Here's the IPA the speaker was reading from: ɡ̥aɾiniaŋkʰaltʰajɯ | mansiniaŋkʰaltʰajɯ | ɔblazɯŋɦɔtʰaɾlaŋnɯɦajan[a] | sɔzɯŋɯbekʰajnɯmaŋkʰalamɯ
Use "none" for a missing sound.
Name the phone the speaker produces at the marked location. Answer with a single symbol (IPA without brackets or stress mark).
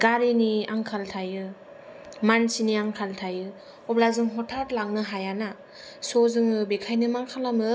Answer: a